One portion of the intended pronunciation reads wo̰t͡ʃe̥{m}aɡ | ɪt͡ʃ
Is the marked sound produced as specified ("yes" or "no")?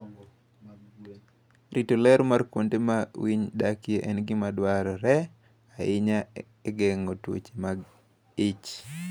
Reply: yes